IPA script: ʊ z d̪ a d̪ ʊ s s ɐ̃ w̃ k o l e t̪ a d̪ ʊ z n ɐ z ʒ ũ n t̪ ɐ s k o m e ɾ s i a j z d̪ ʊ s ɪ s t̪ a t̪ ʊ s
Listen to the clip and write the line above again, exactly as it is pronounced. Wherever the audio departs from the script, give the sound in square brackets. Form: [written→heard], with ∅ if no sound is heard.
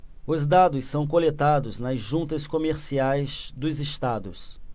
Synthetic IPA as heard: ʊ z d̪ a d̪ ʊ s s ɐ̃ w̃ k o l e t̪ a d̪ ʊ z n ɐ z ʒ ũ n t̪ ɐ s k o m e ɾ s i a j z d̪ ʊ [s→z] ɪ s t̪ a [t̪→d̪] ʊ s

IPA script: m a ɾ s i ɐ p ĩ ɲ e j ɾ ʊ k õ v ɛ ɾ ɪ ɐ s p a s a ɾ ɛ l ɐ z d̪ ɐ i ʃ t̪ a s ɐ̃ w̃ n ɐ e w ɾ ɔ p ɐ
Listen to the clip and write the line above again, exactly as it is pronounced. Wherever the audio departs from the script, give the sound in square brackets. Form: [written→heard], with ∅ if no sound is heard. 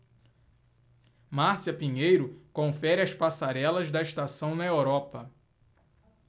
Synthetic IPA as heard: m a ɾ s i ɐ p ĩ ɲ e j ɾ ʊ k õ [v→f] ɛ ɾ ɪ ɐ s p a s a ɾ ɛ l ɐ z d̪ ɐ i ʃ t̪ a s ɐ̃ w̃ n ɐ e w ɾ ɔ p ɐ

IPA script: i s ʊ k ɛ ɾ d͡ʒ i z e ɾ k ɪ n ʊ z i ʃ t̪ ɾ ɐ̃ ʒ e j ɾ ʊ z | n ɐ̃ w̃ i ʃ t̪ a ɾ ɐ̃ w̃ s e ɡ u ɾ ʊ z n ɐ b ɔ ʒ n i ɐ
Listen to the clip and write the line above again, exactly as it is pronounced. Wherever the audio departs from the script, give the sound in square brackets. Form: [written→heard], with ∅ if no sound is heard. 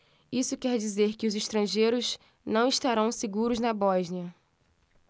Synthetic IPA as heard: i s ʊ k ɛ ɾ d͡ʒ i z e ɾ k ɪ [n→∅] ʊ z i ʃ t̪ ɾ ɐ̃ ʒ e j ɾ ʊ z | n ɐ̃ w̃ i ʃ t̪ a ɾ ɐ̃ w̃ s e ɡ u ɾ ʊ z n ɐ b ɔ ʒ n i ɐ

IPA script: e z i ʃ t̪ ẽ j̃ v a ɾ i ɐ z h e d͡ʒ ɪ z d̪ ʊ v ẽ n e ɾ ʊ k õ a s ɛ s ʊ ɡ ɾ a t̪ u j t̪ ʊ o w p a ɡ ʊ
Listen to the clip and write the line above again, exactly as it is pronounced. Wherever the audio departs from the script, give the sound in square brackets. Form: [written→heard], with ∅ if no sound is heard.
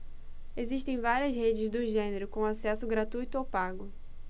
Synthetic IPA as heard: e z i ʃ t̪ ẽ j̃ v a ɾ i ɐ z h e d͡ʒ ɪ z d̪ ʊ [v→ʒ] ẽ n e ɾ ʊ k õ a s ɛ s ʊ ɡ ɾ a t̪ u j t̪ ʊ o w p a ɡ ʊ

